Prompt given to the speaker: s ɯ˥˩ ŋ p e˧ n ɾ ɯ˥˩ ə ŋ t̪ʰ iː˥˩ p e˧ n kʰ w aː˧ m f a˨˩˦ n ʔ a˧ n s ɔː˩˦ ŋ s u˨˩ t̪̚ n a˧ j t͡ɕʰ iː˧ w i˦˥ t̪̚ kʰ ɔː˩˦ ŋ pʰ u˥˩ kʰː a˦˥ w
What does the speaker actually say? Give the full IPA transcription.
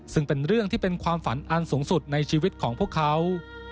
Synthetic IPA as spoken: s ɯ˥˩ ŋ p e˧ n ɾ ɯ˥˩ ə ŋ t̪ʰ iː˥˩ p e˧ n kʰ w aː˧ m f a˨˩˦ n ʔ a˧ n s uː˩˦ ŋ s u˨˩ t̪̚ n a˧ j t͡ɕʰ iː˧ w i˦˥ t̪̚ kʰ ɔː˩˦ ŋ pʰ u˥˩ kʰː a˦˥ w

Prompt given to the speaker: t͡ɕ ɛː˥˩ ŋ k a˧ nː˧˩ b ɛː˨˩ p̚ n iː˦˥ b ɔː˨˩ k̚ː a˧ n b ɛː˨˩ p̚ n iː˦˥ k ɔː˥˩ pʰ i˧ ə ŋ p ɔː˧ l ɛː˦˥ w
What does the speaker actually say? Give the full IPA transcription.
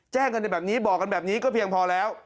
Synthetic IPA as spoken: t͡ɕ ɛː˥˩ ŋ k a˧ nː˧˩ b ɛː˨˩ p̚ n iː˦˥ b ɔː˨˩ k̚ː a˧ n b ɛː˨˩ p̚ n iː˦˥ k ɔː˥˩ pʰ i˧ ə ŋ pʰ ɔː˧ l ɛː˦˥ w

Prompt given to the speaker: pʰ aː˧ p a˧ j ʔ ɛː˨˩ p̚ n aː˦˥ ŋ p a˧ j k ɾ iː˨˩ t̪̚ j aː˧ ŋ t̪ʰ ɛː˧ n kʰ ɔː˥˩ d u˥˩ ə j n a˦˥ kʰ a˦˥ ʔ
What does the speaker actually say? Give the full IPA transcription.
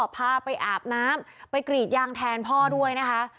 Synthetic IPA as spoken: pʰ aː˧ p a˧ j ʔ aː˨˩ p̚ n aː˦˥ m p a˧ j k ɾ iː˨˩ t̪̚ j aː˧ ŋ t̪ʰ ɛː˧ n pʰ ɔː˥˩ d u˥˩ ə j n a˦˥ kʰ a˦˥ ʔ

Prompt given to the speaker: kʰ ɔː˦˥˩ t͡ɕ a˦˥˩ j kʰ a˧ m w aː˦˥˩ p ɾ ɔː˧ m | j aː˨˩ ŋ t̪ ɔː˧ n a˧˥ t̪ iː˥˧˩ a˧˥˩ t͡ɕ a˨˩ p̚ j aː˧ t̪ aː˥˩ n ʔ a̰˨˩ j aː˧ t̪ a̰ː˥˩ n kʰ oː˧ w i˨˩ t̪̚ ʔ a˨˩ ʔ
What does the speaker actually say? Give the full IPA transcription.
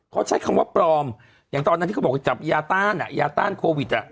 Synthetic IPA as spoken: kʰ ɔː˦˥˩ t͡ɕʰ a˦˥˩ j kʰ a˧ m w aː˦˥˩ p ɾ ɔː˧ m | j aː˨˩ ŋ t̪ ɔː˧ n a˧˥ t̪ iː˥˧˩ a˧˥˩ t͡ɕ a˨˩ p̚ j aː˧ t̪ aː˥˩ n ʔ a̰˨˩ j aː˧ t̪ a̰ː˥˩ n kʰ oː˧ w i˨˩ t̪̚ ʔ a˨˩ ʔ

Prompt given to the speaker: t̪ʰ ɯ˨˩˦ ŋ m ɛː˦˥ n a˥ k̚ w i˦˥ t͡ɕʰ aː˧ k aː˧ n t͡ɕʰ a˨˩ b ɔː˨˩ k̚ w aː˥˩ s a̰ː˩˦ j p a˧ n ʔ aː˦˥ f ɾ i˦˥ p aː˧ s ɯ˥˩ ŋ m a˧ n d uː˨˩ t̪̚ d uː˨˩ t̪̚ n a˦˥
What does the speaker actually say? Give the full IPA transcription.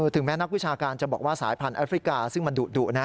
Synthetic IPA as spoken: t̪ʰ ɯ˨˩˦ ŋ m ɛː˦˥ n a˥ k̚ w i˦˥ t͡ɕʰ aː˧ k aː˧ n t͡ɕ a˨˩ b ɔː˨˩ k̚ w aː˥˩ s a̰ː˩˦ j pʰ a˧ n ʔ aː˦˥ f ɾ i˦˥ k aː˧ s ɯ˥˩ ŋ m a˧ n d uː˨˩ t̪̚ d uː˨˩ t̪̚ n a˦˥

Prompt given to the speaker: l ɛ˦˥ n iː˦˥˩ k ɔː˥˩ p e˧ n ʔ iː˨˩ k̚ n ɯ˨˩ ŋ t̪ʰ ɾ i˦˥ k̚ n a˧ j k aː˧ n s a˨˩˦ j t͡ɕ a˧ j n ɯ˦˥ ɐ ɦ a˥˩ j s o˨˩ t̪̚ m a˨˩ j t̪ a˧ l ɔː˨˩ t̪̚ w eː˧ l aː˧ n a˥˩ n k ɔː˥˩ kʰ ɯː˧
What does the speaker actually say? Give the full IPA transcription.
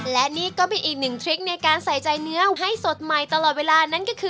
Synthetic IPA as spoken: l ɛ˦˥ n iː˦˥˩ k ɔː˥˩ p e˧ n ʔ iː˨˩ k̚ n ɯ˨˩ ŋ t̪ʰ ɾ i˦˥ k̚ n a˧ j k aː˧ n s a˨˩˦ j t͡ɕ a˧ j n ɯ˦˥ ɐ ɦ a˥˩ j s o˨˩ t̪̚ m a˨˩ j t̪ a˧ l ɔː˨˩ t̪̚ w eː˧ l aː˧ n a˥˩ n k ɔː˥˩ kʰ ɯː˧

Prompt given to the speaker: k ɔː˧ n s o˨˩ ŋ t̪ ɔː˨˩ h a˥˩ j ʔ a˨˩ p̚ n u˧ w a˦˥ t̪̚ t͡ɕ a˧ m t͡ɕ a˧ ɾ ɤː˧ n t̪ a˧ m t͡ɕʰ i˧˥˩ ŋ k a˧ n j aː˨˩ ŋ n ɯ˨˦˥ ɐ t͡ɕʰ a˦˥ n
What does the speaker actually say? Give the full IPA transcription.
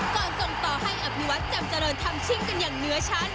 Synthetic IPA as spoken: k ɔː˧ n s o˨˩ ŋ t̪ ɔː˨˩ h a˥˩ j ʔ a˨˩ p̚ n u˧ w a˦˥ t̪̚ t͡ɕ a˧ m t͡ɕ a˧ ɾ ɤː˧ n t̪ʰ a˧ m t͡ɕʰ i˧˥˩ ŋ k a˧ n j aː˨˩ ŋ n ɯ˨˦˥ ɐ t͡ɕʰ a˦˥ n

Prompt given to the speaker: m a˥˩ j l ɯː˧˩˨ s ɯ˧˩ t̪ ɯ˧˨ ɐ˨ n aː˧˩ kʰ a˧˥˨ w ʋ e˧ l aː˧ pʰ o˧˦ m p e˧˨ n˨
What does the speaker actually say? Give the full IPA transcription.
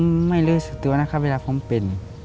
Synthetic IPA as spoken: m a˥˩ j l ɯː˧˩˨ s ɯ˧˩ t̪ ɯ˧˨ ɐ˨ n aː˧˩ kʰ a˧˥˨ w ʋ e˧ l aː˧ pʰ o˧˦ m p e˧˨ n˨

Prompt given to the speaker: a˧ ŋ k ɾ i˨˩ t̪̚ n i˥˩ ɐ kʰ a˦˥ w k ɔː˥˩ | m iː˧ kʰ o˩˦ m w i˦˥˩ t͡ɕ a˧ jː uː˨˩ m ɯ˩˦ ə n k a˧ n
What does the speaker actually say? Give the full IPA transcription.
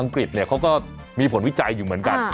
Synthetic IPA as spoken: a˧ ŋ k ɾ i˨˩ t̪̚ n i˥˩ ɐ kʰ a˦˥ w k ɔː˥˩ | m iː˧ pʰ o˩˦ n w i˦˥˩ t͡ɕ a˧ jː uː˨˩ m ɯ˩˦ ə n k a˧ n

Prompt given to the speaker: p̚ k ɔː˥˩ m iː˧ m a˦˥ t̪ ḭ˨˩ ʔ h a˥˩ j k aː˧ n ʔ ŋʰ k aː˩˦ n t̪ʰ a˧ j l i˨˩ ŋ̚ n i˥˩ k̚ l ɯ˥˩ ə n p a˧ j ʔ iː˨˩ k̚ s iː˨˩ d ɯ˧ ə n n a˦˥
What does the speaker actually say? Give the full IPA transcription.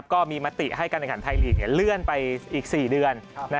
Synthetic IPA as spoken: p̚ k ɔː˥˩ m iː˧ m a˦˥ t̪ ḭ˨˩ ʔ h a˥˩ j k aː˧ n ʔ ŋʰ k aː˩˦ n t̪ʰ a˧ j l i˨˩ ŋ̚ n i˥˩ l ɯ˥˩ ə n p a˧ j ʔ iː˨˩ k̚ s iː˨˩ d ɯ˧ ə n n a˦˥

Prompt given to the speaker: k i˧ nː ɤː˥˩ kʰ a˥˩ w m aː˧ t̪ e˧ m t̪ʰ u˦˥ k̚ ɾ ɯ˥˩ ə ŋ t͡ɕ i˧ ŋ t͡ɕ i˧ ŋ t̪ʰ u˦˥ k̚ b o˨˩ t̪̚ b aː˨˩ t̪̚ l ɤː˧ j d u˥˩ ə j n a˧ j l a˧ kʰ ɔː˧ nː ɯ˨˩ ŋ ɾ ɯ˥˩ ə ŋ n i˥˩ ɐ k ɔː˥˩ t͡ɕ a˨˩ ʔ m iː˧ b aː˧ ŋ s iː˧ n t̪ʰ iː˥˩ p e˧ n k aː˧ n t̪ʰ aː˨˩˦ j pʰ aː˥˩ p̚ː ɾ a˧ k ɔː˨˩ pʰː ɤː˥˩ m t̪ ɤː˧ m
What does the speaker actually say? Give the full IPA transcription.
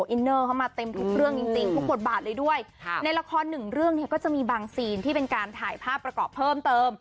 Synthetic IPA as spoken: ʔ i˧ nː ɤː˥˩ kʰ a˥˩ w m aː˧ t̪ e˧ m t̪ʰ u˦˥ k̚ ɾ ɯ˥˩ ə ŋ t͡ɕ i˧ ŋ t͡ɕ i˧ ŋ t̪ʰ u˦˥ k̚ b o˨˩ t̪̚ b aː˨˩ t̪̚ l ɤː˧ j d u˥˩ ə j n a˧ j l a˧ kʰ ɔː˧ nː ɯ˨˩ ŋ ɾ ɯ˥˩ ə ŋ n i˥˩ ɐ k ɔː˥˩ t͡ɕ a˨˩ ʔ m iː˧ b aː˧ ŋ s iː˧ n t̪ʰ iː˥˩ p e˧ n k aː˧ n t̪ʰ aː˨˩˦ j pʰ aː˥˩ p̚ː ɾ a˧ k ɔː˨˩ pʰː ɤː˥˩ m t̪ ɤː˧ m

